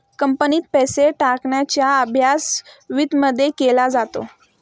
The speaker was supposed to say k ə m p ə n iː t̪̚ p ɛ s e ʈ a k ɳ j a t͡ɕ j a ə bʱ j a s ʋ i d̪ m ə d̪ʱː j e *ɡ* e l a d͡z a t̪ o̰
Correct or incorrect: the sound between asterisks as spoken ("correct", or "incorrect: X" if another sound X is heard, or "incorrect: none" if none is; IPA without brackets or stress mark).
incorrect: k